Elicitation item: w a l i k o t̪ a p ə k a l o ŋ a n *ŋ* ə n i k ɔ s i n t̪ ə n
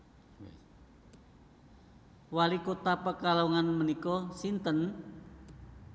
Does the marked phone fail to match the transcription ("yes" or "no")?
yes